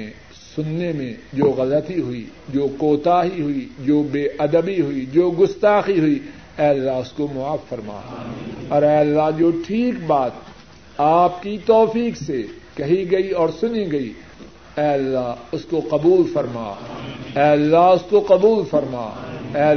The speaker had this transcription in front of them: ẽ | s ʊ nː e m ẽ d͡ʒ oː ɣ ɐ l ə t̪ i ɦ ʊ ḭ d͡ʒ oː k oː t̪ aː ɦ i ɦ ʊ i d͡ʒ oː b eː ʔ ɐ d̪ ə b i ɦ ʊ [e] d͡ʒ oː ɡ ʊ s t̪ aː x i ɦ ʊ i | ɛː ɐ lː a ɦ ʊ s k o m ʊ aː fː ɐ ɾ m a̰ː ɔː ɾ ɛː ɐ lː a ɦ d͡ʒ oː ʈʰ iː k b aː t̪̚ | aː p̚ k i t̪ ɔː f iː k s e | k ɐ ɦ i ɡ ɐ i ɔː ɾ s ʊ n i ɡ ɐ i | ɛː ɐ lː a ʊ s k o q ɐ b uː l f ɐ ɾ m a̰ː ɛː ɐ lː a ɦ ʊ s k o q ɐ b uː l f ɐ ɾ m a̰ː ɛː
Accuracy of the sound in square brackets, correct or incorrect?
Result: incorrect